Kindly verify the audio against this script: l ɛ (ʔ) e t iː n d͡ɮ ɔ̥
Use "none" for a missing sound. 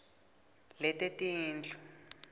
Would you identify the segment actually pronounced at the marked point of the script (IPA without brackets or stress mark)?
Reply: t